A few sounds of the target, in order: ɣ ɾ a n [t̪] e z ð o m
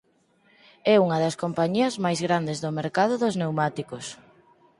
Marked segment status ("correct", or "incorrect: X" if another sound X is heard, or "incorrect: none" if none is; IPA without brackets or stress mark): incorrect: d̪